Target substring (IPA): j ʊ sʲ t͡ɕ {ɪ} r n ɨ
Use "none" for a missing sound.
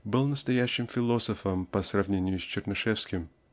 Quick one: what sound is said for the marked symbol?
ɪ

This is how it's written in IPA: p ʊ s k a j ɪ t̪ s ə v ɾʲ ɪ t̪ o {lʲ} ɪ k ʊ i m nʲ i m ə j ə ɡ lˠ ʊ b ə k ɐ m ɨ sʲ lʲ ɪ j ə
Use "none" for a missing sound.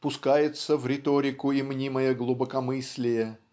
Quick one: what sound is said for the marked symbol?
ɾʲ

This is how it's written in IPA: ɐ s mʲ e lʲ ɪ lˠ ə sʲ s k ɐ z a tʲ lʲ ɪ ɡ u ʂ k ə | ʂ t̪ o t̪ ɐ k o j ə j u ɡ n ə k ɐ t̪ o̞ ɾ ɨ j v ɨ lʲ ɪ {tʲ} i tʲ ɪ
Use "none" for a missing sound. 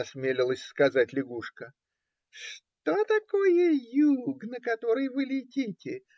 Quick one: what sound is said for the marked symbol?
tʲ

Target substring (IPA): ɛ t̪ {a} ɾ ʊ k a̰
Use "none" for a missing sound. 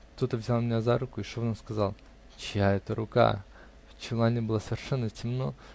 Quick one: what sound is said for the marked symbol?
ə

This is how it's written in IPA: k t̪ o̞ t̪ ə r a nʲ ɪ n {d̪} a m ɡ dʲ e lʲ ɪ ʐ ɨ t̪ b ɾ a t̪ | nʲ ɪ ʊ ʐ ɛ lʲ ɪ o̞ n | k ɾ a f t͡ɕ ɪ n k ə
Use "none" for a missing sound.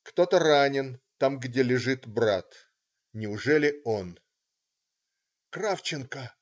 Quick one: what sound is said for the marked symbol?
t̪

